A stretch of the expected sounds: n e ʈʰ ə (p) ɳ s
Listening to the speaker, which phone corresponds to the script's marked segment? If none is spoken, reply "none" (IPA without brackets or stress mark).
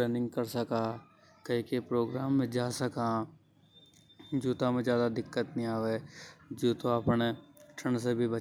none